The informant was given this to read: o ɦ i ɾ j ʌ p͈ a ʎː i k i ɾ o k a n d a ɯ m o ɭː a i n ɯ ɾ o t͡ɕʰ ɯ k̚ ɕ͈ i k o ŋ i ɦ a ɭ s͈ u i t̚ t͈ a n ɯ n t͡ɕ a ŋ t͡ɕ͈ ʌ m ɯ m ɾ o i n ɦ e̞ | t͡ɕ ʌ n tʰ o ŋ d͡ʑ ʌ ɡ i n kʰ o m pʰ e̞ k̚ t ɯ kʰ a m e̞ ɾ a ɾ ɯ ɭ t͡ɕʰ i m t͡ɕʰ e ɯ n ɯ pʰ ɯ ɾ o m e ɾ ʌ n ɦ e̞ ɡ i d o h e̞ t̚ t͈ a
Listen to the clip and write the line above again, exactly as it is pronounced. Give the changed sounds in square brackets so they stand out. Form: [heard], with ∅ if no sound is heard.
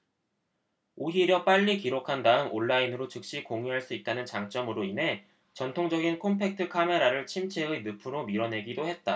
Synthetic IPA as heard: o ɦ i ɾ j ʌ p͈ a ʎː i k i ɾ o [kʰ] a n d a ɯ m o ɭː a i n ɯ ɾ o [t͡ɕ] ɯ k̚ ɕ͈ i k o ŋ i ɦ a ɭ s͈ u i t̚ t͈ a n ɯ n t͡ɕ a ŋ t͡ɕ͈ ʌ m ɯ [∅] ɾ o i n ɦ e̞ | t͡ɕ ʌ n tʰ o ŋ d͡ʑ ʌ ɡ i n kʰ o m pʰ e̞ k̚ [tʰ] ɯ kʰ a m e̞ ɾ a ɾ ɯ ɭ t͡ɕʰ i m t͡ɕʰ e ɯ n ɯ pʰ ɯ ɾ o m [i] ɾ ʌ n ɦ e̞ ɡ i d o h e̞ t̚ t͈ a